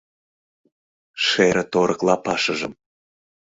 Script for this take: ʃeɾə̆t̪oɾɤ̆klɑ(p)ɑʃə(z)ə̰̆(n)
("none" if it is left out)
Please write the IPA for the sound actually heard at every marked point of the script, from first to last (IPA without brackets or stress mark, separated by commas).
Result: p, ʒ, m